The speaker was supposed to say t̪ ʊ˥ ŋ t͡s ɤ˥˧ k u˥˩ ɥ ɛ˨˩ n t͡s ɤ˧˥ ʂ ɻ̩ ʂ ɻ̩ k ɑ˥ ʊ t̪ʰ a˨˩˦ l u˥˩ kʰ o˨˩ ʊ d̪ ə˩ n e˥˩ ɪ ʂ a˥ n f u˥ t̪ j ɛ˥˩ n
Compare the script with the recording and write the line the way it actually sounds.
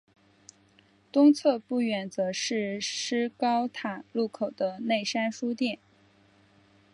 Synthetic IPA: t̪ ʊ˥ ŋ t͡sʰ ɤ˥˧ p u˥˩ ɥ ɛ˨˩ n t͡s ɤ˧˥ ʂ ɻ̩ ʂ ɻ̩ k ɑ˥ ʊ t̪ʰ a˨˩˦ l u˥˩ kʰ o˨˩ ʊ d̪ ə˦ n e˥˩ ɪ ʂ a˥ n ʂ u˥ t̪ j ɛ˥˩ n